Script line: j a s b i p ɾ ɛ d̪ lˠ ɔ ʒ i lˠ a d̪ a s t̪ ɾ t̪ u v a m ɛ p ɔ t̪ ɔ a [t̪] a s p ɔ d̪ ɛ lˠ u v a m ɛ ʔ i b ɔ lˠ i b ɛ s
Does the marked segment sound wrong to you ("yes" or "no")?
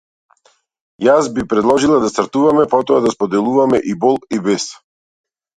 yes